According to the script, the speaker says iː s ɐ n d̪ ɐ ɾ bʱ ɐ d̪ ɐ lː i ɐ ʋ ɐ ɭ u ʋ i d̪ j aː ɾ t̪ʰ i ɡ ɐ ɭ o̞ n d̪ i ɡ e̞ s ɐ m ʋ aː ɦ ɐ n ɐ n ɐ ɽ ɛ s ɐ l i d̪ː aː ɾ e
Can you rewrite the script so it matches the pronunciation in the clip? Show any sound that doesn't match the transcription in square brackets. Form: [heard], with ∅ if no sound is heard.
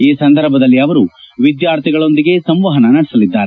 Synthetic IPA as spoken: iː s ɐ n d̪ ɐ ɾ bʱ ɐ d̪ ɐ lː i ɐ ʋ ɐ [ɾ] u ʋ i d̪ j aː ɾ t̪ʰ i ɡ ɐ ɭ o̞ n d̪ i ɡ e̞ s ɐ m ʋ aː ɦ ɐ n ɐ n ɐ ɽ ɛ s ɐ l i d̪ː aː ɾ e